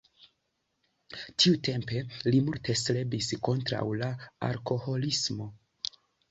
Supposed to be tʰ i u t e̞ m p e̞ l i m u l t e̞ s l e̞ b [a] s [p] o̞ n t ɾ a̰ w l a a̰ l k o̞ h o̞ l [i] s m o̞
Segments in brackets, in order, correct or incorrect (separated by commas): incorrect, incorrect, correct